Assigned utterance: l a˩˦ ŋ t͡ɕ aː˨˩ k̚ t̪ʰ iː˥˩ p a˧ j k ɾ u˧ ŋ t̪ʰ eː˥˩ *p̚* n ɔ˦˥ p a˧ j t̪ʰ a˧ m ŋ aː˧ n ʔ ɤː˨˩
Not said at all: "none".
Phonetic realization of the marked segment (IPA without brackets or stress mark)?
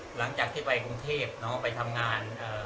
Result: p̚